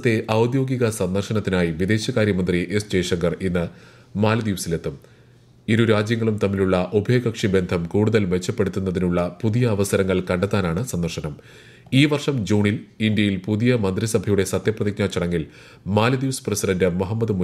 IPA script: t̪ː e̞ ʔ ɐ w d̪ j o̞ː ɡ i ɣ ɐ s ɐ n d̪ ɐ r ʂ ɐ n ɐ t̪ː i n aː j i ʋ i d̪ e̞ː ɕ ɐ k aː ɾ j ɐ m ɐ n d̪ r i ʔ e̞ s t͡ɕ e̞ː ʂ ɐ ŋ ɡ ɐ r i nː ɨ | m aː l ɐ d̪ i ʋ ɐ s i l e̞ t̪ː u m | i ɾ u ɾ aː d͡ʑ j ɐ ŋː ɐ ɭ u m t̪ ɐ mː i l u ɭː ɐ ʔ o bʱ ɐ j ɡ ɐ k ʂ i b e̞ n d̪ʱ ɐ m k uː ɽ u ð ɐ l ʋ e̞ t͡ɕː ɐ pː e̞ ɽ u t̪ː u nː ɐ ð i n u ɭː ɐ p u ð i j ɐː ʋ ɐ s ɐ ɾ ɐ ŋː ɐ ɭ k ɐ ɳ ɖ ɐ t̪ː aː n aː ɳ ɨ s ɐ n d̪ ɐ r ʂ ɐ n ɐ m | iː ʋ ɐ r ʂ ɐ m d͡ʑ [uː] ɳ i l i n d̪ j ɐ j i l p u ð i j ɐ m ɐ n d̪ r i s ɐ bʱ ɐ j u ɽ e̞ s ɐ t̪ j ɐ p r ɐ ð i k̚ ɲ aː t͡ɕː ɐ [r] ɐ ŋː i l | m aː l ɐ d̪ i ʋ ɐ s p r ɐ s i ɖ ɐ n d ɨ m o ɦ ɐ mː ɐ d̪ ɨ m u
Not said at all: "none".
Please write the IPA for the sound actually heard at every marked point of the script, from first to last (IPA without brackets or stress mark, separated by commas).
uː, ɽ